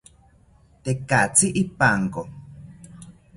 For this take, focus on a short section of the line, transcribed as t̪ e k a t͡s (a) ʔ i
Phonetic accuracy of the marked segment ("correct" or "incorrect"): incorrect